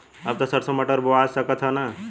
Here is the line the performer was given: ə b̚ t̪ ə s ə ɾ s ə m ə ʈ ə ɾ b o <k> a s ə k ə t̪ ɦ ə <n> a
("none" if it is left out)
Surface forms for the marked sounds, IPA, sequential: none, n

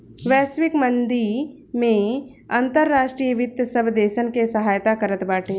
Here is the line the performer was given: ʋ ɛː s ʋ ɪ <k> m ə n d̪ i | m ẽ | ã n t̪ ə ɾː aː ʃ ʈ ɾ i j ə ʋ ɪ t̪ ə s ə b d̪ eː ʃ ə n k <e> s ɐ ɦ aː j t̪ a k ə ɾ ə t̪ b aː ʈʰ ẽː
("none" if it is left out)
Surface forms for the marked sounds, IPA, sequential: k, e

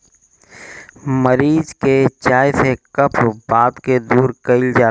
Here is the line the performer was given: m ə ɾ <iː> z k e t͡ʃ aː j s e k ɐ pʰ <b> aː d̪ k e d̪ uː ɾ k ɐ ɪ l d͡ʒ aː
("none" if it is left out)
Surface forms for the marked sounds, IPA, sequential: iː, b

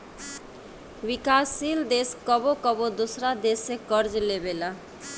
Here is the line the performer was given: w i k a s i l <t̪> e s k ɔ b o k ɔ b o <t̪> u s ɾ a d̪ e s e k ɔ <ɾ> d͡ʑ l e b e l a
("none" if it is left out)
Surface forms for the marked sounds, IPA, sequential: d̪, d̪, ɾ

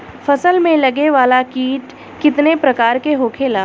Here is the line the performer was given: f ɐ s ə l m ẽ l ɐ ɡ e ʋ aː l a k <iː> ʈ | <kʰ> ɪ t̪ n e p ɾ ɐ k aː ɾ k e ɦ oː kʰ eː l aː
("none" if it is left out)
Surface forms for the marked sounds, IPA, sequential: iː, k

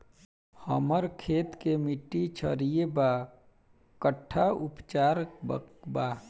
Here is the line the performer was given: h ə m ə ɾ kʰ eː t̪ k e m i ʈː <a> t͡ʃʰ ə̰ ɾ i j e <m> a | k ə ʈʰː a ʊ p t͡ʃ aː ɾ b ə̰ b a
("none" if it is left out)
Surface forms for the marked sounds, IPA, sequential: i, b

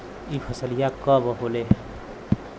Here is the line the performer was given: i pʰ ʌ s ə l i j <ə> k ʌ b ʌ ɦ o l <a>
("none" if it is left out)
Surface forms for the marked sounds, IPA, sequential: a, e

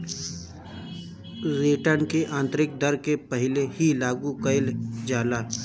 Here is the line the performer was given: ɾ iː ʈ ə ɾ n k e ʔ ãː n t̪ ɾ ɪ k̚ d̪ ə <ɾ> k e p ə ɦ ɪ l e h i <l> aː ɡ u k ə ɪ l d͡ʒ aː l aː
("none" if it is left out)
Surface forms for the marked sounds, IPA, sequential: ɾ, l

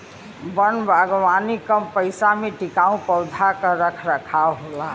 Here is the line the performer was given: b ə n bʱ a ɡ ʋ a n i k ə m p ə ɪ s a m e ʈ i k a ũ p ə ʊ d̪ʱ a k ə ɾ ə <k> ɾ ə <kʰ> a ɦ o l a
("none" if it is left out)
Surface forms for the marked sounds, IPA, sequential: kʰ, kʰ

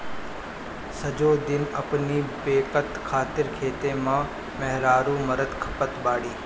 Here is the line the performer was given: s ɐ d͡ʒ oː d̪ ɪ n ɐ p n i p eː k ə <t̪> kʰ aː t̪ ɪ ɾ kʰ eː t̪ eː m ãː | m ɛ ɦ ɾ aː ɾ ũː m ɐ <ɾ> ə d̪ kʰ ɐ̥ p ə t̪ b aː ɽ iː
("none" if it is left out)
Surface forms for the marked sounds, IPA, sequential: t̪, ɾ

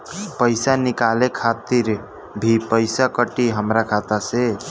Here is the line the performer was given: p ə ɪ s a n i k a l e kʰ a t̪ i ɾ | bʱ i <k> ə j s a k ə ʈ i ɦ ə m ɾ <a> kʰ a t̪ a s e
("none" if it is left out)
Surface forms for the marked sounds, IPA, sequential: p, a

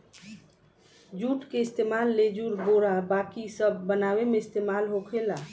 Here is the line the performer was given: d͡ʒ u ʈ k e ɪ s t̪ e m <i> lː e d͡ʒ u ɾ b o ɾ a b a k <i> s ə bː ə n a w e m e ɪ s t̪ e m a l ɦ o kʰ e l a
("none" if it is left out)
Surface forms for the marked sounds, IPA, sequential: a, i

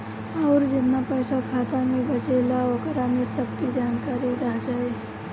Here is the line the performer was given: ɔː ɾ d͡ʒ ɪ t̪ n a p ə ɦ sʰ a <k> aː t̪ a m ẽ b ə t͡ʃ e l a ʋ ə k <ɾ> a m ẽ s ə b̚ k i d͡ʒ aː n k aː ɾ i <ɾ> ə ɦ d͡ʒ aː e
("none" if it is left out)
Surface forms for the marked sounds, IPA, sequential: kʰ, ɾ, ɾ

